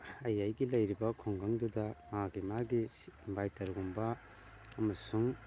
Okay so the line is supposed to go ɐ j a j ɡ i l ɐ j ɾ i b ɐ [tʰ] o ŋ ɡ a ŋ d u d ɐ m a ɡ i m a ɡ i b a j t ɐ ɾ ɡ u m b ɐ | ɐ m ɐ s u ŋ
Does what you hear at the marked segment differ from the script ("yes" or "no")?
yes